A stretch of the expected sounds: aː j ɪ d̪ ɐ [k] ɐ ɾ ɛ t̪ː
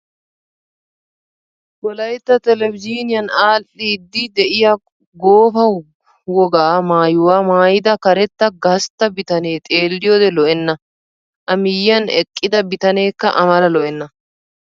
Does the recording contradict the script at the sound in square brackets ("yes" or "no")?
no